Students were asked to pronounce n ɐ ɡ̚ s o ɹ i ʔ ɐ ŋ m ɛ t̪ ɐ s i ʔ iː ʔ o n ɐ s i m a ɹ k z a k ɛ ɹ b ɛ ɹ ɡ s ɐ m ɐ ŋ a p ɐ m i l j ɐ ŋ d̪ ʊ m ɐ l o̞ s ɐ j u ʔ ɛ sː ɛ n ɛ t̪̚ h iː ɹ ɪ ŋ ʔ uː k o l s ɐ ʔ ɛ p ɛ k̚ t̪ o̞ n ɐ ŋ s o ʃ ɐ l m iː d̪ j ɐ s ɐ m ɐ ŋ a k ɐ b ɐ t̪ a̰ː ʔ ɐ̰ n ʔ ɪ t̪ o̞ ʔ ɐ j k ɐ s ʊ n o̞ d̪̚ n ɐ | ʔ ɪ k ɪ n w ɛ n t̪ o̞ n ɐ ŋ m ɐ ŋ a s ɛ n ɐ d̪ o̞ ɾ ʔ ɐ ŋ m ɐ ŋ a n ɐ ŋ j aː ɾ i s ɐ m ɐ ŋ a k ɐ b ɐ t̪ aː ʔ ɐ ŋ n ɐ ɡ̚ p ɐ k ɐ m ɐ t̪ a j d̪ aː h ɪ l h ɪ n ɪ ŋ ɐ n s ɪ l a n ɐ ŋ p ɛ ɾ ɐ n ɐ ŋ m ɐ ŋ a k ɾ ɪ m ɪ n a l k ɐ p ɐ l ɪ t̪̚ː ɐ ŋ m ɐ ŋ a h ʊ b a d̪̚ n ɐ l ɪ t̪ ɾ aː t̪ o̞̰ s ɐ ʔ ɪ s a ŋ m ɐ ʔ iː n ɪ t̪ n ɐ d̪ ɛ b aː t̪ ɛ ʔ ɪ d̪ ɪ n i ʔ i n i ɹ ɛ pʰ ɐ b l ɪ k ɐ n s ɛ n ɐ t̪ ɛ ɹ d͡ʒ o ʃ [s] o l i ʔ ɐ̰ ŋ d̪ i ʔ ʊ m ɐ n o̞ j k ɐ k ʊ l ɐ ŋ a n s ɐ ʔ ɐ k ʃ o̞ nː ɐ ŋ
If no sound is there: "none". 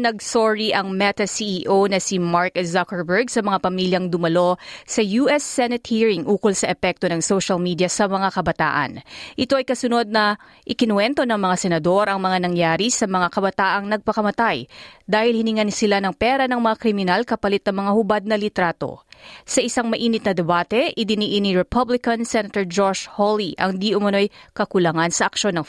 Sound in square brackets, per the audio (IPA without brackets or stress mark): h